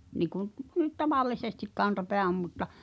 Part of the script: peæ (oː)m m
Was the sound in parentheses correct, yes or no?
no